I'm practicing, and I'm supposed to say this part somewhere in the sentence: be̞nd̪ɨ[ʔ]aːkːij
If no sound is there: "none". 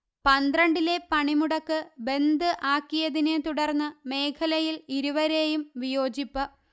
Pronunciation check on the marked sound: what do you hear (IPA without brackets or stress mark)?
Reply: ʔ